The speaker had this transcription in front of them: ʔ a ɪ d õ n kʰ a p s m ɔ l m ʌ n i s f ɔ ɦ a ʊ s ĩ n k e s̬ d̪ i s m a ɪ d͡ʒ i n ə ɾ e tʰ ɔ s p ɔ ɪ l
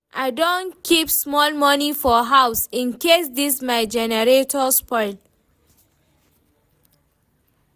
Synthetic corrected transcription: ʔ a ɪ d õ n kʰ i p s m ɔ l m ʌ n i f ɔ ɦ a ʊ s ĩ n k e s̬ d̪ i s m a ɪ d͡ʒ ɛ n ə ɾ e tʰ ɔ s p ɔ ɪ l